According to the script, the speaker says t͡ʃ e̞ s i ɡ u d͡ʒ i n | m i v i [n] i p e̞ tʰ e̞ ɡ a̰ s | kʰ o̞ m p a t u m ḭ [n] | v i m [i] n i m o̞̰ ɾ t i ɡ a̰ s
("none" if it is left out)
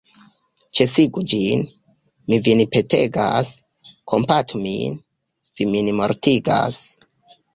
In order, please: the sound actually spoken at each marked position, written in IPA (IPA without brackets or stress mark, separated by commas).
n, n, i